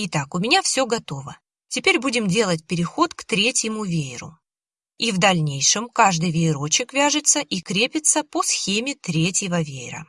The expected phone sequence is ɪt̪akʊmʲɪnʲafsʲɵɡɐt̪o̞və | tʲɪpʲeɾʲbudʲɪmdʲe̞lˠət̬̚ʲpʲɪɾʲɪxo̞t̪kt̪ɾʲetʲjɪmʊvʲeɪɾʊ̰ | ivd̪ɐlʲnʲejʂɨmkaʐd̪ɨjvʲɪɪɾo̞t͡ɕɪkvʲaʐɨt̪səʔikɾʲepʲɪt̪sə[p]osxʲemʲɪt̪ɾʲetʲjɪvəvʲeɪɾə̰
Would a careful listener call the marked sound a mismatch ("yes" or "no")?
no